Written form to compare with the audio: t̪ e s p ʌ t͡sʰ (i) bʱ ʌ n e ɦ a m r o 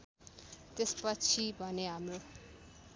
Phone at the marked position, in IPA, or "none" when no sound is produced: i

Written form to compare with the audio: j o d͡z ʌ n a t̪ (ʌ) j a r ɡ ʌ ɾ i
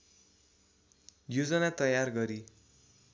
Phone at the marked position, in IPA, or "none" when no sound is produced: ʌ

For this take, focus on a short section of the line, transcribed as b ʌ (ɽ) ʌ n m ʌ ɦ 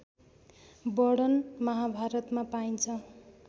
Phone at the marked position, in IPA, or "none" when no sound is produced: ɽ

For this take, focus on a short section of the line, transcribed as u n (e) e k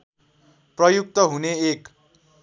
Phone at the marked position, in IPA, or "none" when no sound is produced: e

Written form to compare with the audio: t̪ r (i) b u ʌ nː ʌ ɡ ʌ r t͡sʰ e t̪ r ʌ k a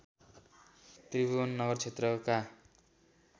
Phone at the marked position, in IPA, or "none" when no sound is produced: i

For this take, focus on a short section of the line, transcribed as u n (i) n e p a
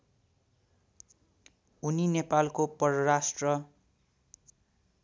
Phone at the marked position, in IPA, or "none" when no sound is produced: i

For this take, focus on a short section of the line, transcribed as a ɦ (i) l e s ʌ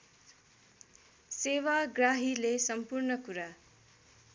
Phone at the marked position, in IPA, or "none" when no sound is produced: i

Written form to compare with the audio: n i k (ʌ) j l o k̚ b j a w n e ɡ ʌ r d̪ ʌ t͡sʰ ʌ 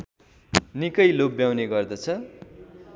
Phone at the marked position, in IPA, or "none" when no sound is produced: ʌ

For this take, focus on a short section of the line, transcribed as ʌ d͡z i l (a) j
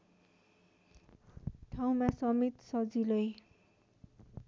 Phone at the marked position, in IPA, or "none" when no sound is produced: ʌ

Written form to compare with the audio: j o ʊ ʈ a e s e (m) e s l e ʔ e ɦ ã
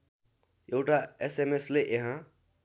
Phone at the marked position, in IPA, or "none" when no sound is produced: m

